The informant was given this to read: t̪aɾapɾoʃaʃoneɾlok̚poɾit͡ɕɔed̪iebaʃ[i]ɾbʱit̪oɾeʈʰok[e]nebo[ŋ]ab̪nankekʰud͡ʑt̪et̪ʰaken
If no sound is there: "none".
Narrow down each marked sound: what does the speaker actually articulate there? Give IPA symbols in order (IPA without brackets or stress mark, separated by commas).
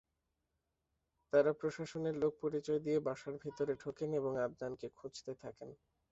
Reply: a, e, ŋ